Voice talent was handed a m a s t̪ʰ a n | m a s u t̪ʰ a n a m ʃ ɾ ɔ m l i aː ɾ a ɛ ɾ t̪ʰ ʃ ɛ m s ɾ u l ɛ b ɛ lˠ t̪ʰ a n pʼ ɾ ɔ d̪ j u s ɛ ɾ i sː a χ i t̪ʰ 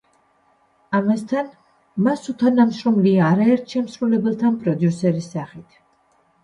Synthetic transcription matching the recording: a m a s t̪ʰ a n | m a s u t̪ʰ a n a m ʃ ɾ ɔ m l i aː ɾ a ɛ ɾ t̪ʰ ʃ ɛ m s ɾ u l ɛ b ɛ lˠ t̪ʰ a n pʼ ɾ ɔ d̪ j u s ɛ ɾ i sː a χ i t̪ʰ